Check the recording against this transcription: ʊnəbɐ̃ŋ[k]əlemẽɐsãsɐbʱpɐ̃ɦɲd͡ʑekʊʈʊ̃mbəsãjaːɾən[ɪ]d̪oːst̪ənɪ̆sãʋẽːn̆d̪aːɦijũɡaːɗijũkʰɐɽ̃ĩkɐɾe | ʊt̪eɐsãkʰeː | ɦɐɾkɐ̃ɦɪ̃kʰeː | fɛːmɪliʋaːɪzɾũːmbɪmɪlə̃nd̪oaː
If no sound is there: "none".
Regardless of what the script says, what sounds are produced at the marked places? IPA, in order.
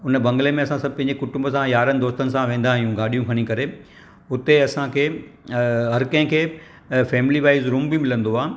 ɡ, ɪ

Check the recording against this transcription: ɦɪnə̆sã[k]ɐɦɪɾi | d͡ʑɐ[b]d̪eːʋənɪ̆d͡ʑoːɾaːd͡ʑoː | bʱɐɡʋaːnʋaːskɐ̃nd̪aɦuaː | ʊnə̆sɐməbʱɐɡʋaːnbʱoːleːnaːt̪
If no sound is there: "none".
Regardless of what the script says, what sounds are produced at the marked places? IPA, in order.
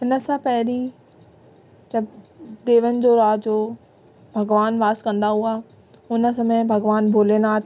p, b

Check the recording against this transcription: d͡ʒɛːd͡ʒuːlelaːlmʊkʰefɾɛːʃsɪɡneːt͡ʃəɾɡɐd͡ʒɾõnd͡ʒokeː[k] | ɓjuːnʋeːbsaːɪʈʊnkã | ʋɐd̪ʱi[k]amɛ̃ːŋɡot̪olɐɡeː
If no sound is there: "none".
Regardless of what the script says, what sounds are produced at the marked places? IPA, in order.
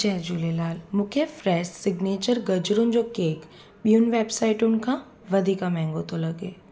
k, k

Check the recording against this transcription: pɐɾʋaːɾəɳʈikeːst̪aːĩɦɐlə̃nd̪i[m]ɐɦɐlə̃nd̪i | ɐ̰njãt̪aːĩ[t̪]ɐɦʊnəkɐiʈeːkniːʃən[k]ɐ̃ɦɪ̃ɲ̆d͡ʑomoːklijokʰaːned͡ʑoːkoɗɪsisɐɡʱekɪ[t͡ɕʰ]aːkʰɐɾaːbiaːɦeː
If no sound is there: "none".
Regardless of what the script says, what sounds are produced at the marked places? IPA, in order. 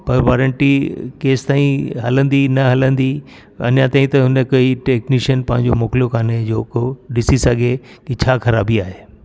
n, t̪, p, t͡ɕʰ

